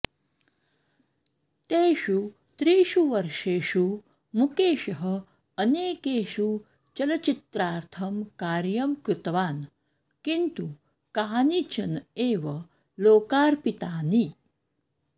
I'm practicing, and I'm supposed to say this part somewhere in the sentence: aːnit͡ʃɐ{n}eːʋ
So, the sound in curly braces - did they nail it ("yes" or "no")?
yes